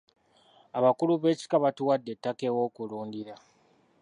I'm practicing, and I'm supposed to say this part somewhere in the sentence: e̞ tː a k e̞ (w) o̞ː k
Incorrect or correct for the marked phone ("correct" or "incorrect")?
correct